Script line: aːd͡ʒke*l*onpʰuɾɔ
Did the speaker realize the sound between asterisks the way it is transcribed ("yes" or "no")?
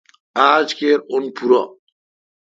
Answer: no